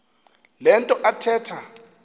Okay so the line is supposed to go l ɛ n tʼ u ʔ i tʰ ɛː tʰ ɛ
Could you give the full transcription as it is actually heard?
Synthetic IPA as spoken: l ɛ n tʼ ɔ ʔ a tʰ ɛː tʰ a